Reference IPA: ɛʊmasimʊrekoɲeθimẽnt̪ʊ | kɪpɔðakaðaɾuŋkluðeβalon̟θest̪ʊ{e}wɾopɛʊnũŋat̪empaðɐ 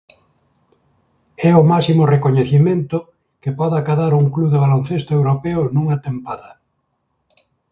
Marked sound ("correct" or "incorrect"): correct